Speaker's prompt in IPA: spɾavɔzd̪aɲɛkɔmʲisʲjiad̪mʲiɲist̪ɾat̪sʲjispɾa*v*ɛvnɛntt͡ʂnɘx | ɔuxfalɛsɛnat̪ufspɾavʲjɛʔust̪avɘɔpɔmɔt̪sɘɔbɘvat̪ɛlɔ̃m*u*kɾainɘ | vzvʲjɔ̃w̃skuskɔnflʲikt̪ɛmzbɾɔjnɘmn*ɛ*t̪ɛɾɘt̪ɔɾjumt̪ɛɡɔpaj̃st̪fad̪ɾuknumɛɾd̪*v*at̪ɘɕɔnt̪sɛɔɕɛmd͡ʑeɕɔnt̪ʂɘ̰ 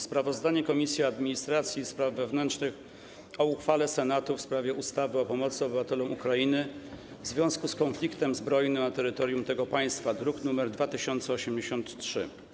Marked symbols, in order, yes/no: no, yes, no, yes

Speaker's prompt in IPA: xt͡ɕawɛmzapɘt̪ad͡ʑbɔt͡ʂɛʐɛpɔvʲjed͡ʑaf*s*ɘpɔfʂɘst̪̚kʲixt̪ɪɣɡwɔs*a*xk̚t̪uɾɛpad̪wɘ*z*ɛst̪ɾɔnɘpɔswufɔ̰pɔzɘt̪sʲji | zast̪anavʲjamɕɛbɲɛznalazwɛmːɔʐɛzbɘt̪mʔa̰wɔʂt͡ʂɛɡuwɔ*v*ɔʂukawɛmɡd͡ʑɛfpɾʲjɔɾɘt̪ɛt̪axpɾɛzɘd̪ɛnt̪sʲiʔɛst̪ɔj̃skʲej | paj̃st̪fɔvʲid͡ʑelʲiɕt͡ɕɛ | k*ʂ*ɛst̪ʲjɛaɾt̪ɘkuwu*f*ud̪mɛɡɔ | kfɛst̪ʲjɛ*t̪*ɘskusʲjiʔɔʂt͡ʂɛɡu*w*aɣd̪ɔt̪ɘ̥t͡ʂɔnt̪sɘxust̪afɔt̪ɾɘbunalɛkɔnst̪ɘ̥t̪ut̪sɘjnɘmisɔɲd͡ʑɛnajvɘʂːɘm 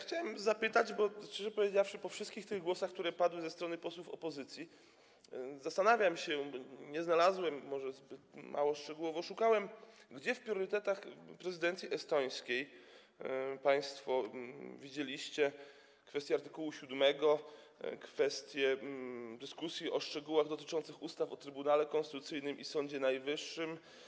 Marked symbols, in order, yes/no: no, yes, yes, yes, no, no, no, yes

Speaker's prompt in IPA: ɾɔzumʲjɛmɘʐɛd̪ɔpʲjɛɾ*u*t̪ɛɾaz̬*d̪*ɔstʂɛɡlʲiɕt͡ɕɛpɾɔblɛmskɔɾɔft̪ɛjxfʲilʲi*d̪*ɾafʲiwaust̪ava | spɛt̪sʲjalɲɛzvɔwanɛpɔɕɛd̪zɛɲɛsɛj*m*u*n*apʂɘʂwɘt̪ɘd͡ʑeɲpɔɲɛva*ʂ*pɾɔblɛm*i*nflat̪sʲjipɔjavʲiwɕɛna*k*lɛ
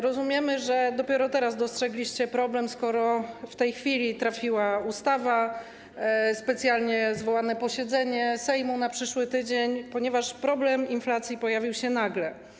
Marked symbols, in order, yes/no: no, yes, no, yes, yes, yes, yes, no

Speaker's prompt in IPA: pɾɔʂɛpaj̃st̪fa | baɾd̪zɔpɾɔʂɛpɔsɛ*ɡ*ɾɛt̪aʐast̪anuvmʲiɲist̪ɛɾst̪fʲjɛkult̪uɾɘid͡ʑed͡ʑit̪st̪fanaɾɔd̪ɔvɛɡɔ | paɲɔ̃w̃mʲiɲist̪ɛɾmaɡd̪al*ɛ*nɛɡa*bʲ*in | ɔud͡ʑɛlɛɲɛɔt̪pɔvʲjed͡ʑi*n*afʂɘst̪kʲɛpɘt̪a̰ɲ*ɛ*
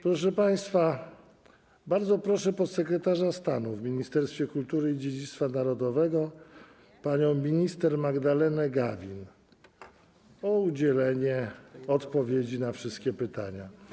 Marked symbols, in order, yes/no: no, yes, no, yes, no

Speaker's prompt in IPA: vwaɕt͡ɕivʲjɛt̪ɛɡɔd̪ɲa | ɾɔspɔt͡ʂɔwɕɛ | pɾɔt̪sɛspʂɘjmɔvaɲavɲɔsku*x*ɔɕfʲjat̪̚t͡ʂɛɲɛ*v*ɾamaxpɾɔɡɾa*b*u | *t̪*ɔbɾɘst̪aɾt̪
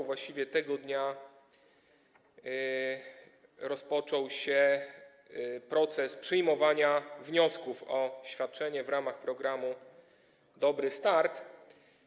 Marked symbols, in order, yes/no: no, yes, no, no

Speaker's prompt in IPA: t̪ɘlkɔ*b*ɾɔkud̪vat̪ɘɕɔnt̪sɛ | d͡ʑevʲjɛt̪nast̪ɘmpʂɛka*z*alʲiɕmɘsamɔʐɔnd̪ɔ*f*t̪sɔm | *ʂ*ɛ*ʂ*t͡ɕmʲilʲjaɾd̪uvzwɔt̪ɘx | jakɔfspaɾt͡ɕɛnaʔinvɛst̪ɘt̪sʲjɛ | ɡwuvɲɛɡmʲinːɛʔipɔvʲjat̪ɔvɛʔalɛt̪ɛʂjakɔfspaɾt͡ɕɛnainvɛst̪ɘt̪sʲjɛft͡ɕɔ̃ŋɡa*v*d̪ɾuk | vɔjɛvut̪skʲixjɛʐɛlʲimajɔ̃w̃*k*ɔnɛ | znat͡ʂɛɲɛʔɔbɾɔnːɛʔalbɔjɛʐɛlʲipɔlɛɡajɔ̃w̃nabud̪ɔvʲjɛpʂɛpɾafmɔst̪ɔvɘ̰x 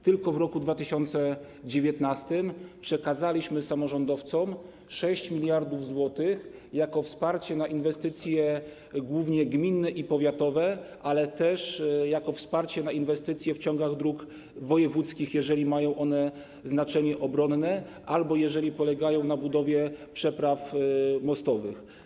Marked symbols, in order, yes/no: no, yes, yes, yes, no, no, no

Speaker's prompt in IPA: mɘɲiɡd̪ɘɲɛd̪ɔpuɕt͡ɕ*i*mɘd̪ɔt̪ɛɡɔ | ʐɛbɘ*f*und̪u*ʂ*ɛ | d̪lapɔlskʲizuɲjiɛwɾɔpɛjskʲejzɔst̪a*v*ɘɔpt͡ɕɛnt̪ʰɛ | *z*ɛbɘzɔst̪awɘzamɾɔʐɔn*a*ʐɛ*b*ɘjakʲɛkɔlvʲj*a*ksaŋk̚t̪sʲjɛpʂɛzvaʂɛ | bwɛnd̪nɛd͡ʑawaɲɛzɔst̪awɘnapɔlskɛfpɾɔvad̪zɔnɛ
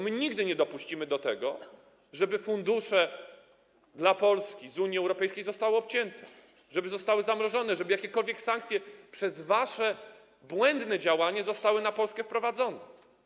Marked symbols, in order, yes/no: yes, yes, yes, no, no, no, yes, no

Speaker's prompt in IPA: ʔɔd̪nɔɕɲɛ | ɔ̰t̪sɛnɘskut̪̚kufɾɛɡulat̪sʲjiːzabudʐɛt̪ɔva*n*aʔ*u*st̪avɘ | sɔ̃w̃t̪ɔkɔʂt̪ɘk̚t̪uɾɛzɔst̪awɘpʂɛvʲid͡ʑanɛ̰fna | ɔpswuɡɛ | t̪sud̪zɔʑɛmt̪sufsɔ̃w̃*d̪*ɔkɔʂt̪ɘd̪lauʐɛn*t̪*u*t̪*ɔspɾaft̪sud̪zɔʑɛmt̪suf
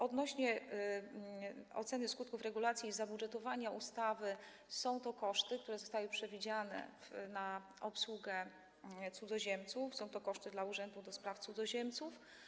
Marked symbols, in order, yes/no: no, yes, no, no, no

